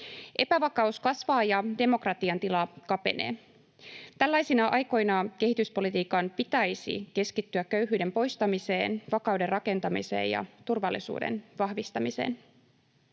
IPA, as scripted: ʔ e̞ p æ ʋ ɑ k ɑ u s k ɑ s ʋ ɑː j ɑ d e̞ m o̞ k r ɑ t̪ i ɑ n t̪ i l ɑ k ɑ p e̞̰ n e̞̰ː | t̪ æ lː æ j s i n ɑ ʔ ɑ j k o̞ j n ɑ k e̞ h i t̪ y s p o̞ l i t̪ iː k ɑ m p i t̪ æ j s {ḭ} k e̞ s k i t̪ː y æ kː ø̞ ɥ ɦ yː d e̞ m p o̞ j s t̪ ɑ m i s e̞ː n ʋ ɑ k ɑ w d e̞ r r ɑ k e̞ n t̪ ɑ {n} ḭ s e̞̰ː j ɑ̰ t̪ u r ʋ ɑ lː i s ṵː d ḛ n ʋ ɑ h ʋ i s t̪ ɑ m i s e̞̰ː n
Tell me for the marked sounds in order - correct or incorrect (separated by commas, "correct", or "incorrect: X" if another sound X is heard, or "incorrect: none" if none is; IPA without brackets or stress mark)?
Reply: correct, incorrect: m